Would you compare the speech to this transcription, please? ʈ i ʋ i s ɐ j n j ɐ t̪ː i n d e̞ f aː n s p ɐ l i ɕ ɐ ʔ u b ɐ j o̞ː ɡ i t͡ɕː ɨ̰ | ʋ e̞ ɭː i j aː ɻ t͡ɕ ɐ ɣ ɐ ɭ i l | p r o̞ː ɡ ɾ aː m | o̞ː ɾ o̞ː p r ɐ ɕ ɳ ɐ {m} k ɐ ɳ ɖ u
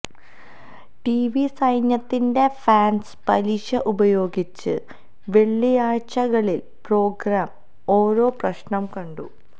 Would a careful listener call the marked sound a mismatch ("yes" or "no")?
no